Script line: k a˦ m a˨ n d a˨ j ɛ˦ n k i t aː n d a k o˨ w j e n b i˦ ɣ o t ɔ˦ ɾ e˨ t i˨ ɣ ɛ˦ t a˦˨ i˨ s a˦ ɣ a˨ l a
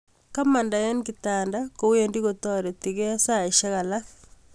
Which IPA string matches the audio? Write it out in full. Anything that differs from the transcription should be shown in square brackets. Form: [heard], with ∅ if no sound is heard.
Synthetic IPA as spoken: k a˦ m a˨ n d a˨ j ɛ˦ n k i t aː n d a k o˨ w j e n [d] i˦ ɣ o t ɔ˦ ɾ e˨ t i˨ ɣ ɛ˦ [s] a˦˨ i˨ [ʃ] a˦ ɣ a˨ l a